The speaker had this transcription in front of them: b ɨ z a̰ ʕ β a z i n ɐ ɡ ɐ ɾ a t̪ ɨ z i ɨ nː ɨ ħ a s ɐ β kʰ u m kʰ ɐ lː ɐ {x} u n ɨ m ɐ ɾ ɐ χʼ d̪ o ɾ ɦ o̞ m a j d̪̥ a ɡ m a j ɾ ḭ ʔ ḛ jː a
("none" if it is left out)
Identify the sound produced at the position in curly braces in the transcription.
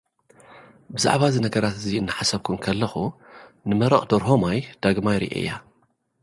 x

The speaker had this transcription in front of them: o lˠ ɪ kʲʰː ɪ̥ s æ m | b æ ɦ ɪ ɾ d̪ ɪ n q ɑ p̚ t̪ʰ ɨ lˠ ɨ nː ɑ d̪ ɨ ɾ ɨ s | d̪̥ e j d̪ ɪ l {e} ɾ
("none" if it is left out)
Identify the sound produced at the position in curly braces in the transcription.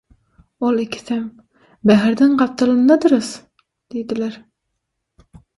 æ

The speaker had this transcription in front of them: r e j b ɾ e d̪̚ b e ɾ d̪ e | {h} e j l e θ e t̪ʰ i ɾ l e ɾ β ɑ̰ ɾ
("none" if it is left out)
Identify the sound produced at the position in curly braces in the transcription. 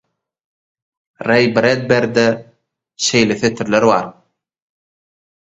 ʃ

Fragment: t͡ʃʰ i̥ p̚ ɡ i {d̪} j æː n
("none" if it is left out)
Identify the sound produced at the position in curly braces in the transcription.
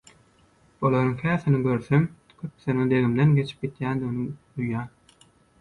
t̪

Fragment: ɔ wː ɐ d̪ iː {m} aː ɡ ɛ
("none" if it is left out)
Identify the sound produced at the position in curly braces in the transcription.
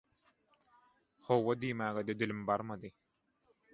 m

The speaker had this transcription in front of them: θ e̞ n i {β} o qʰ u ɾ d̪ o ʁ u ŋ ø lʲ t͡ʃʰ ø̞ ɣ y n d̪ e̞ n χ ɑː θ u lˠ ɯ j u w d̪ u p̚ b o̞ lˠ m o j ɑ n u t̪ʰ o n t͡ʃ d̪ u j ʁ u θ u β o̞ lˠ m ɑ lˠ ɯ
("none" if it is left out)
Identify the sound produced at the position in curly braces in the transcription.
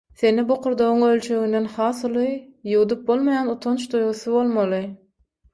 b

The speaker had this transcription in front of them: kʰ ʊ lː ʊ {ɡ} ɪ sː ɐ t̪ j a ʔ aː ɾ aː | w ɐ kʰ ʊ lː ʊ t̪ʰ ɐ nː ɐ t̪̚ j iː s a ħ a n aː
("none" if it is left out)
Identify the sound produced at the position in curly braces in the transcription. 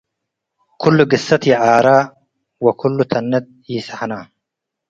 ɡ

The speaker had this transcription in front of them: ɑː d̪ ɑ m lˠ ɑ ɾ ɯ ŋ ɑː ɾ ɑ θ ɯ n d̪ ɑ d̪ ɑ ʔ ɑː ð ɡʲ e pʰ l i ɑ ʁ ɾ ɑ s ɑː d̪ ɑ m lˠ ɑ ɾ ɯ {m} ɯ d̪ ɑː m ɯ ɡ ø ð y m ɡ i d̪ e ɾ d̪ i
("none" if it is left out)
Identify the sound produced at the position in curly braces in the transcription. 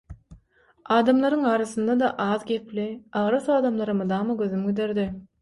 m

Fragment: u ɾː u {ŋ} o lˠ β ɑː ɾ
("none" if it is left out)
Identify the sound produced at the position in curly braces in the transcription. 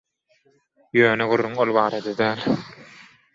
ŋ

